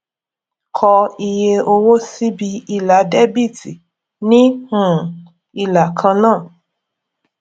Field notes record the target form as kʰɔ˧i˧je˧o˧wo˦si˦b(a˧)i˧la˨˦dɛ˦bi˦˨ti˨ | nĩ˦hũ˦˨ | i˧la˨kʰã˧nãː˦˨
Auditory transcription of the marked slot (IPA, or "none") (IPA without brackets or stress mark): i˧